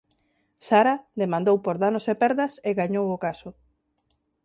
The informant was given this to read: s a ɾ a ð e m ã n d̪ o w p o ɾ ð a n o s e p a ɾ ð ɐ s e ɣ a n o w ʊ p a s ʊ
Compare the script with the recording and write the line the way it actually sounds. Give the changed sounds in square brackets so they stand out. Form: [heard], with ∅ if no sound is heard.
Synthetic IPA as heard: s a ɾ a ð e m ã n d̪ o w p o ɾ ð a n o s e p [ɛ] ɾ ð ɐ s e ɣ a [ɲ] o w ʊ [k] a s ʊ

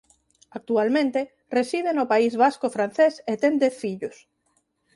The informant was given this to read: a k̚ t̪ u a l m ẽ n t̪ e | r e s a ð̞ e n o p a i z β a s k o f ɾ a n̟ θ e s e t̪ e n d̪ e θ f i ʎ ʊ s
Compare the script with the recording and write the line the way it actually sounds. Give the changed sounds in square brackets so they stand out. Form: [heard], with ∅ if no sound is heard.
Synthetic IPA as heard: a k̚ t̪ u a l m ẽ n t̪ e | r e s [i] ð̞ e n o p a i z β a s k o f ɾ a n̟ θ e s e t̪ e n d̪ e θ f i ʎ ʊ s

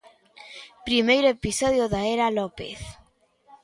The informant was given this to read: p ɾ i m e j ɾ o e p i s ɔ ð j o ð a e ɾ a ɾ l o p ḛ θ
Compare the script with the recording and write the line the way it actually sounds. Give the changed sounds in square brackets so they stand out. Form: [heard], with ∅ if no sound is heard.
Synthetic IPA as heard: p ɾ i m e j ɾ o e p i s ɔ ð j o ð a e ɾ a [∅] l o p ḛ θ

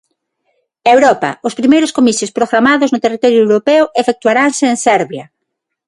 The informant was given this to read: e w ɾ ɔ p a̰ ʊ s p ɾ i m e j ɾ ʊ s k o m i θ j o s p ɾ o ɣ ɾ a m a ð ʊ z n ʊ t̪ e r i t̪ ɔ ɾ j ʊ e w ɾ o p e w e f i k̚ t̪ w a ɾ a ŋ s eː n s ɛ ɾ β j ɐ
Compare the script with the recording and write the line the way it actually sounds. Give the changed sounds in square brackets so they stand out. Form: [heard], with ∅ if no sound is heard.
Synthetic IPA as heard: e w ɾ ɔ p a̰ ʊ s p ɾ i m e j ɾ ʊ s k o m i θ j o s p ɾ o ɣ ɾ a m a ð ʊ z n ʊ t̪ e r i t̪ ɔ ɾ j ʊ e w ɾ o p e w e f [e] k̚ t̪ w a ɾ a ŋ s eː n s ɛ ɾ β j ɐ

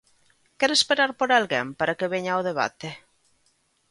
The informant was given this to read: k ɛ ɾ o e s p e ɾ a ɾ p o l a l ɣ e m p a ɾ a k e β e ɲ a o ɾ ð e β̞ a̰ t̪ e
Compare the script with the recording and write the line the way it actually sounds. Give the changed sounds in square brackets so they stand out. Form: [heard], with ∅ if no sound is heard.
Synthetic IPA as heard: k ɛ ɾ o e s p e ɾ a ɾ p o [ɾ] a l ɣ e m p a ɾ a k e β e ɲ a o [∅] ð e β̞ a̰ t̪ e

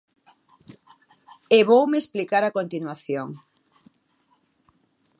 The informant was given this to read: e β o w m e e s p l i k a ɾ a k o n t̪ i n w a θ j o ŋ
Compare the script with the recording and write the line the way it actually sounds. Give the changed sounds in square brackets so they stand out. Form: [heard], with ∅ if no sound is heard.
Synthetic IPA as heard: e β o w m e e s p l i k a ɾ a k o n t̪ i n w a θ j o ŋ

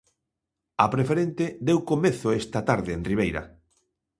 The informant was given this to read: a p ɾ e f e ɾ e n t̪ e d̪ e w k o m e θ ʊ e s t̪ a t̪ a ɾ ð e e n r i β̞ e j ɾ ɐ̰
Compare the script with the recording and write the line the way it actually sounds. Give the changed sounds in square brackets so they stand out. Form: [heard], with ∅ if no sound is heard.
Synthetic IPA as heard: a p ɾ e f e ɾ e n t̪ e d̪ e w k o m e θ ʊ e s t̪ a t̪ a ɾ ð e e n r i β̞ e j ɾ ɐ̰

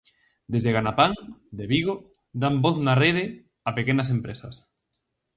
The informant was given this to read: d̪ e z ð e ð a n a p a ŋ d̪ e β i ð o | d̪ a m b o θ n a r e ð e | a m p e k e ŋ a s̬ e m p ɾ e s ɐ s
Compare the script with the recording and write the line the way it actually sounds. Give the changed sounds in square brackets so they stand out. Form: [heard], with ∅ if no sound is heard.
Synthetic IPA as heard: d̪ e z ð e [ɣ] a n a p a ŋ d̪ e β i [ɣ] o | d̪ a m b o θ n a r e ð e | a [∅] p e k e [n] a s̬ e m p ɾ e s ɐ s

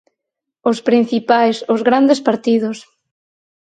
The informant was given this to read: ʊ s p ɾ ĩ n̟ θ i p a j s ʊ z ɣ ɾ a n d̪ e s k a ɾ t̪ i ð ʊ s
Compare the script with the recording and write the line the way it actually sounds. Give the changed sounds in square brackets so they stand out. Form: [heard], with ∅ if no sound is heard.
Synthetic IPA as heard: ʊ s p ɾ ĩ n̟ θ i p a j s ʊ z ɣ ɾ a n d̪ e s [p] a ɾ t̪ i ð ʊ s

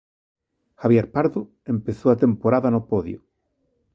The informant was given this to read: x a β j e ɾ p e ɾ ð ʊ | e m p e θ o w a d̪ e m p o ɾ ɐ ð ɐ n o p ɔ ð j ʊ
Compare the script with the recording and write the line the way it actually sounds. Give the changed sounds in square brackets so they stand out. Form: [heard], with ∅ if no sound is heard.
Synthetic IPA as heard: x a β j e ɾ p [a] ɾ ð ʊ | e m p e θ o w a [t̪] e m p o ɾ [a] ð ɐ n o p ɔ ð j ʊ

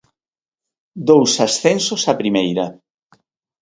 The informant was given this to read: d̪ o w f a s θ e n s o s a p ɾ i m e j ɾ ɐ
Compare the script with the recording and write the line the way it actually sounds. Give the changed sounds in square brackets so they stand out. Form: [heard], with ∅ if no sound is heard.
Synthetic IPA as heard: d̪ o w [s] a s θ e n s o s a p ɾ i m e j ɾ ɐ

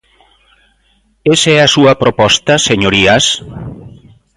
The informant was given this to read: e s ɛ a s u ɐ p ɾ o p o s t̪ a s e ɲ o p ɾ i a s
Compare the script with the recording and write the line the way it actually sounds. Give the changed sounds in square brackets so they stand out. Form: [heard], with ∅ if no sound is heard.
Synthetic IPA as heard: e s ɛ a s u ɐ p ɾ o p [ɔ] s t̪ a s e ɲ o [∅] ɾ i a s

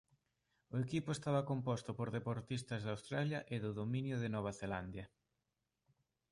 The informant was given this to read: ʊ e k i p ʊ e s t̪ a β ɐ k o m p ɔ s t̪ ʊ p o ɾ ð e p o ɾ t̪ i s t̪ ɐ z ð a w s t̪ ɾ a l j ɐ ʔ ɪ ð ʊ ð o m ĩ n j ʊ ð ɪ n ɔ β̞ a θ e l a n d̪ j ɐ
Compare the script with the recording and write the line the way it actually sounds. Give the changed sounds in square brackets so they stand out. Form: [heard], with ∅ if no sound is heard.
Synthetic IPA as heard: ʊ e k i p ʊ e s t̪ a β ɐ k o m p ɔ s t̪ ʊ p o ɾ ð e p o ɾ t̪ i s t̪ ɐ z ð a w s t̪ ɾ a l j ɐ ʔ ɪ ð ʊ ð o m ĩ n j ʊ ð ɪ n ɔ β̞ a θ e l a n d̪ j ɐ

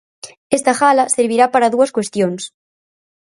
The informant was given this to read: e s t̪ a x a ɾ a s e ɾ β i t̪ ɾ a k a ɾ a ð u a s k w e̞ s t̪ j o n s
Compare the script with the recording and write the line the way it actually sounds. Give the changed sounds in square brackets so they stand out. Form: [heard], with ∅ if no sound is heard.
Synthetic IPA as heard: e s t̪ a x a [l] a s e ɾ β i [∅] ɾ a [p] a ɾ a ð u a s k w e̞ s t̪ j o n s

